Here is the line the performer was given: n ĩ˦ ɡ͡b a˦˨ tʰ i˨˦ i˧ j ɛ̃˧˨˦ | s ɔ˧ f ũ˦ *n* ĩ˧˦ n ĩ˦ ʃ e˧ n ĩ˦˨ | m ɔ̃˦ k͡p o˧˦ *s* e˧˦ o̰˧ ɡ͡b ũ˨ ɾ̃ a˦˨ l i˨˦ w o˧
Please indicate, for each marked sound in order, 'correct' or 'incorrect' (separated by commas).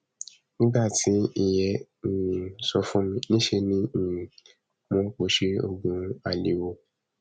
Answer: incorrect, incorrect